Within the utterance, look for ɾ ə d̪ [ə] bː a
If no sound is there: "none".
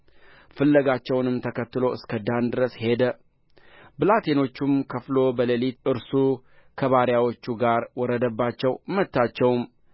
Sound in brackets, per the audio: ə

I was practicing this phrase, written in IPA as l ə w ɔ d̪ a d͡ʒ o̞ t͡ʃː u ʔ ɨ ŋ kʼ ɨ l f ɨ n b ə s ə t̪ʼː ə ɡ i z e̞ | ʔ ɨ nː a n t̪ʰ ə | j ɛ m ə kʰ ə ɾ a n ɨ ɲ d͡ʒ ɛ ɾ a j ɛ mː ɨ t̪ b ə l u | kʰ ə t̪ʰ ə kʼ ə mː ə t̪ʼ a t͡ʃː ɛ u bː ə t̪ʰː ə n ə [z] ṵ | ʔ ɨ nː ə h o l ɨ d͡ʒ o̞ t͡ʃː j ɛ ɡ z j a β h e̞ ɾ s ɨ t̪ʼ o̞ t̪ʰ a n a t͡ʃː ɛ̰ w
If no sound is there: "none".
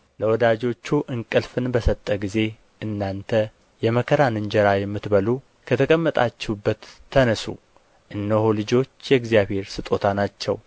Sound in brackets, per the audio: s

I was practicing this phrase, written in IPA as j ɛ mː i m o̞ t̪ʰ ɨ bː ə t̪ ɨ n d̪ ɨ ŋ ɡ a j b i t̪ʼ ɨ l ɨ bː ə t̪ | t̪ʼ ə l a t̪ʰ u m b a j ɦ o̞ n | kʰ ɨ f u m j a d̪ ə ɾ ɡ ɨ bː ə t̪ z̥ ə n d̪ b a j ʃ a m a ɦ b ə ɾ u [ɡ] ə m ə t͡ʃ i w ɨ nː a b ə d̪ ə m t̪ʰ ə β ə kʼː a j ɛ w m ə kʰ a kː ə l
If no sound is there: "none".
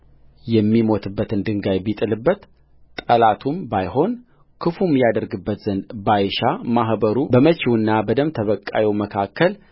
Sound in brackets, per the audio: b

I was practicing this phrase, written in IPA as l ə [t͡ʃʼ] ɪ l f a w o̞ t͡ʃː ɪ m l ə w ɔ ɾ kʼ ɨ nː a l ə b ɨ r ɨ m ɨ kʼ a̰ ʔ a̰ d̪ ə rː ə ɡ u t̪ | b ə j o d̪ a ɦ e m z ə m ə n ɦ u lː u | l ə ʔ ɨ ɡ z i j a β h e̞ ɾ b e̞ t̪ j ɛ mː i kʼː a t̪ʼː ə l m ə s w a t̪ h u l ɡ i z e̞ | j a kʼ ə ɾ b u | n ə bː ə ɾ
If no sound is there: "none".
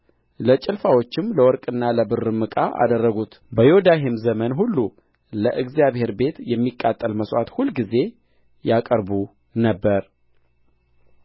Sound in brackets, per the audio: t͡ʃʼ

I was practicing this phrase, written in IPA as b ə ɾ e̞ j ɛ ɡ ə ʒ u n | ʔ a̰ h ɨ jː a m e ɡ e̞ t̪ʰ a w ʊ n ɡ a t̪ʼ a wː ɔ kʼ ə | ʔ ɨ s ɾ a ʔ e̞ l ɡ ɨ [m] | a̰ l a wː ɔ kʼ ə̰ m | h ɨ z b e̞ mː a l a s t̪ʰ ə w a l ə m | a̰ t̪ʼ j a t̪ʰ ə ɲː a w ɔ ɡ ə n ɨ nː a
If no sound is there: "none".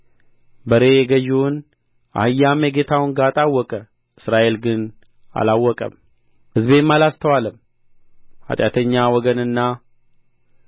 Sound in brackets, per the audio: n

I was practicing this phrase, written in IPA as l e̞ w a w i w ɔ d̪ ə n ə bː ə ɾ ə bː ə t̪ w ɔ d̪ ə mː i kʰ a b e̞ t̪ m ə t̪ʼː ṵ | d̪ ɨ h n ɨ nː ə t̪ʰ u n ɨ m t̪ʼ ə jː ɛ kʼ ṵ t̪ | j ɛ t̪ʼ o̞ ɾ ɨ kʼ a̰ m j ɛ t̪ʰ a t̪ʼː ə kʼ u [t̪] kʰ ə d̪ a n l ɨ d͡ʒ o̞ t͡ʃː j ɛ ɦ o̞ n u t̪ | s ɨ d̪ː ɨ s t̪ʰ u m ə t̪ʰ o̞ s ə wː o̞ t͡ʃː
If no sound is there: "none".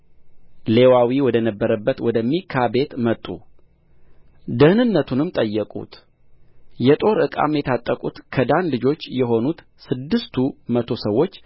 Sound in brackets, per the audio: t̪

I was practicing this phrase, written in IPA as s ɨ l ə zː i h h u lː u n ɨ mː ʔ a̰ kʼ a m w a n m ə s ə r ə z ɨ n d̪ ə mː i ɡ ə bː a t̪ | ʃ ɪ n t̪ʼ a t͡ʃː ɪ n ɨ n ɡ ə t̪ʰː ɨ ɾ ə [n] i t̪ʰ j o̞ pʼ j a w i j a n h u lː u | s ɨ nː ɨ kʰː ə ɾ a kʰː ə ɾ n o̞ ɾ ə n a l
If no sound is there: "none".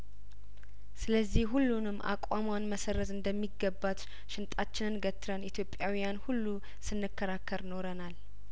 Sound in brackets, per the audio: n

